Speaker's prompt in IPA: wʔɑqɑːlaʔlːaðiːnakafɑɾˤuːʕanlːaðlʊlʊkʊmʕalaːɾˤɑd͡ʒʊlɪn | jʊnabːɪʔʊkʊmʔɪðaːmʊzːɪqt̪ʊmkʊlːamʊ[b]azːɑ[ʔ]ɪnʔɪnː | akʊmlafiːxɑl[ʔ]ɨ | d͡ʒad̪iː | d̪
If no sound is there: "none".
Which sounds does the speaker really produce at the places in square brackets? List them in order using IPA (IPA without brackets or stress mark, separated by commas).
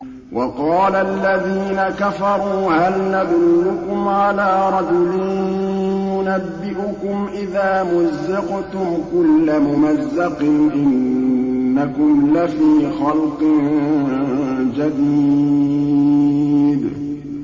m, q, q